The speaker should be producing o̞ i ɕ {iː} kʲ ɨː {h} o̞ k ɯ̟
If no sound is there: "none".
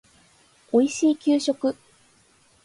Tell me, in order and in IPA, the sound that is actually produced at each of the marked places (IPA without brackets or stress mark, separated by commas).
iː, ɕ